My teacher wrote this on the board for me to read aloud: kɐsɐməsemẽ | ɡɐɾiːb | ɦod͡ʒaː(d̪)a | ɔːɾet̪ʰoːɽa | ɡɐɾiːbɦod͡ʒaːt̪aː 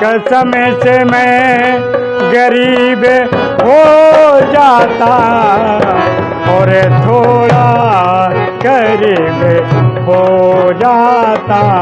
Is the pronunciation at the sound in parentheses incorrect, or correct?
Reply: incorrect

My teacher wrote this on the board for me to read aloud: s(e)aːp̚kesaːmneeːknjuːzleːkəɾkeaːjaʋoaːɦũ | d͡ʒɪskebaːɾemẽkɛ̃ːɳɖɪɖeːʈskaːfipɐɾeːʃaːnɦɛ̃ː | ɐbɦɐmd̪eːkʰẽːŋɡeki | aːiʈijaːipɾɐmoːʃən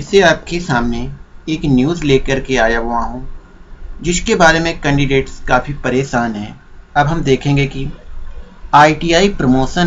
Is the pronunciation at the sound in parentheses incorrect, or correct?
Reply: correct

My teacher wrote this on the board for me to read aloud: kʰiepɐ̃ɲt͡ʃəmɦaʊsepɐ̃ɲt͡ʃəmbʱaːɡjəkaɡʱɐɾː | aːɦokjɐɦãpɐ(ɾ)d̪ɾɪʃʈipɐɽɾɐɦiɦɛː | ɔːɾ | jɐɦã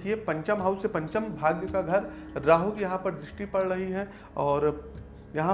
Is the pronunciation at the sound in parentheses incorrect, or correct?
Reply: correct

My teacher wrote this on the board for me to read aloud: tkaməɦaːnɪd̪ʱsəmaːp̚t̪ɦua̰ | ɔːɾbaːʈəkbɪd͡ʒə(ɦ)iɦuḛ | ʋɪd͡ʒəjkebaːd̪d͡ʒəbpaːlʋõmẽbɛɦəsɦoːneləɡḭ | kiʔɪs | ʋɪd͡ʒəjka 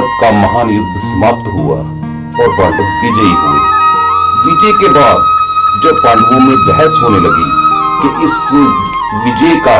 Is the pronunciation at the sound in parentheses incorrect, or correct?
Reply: incorrect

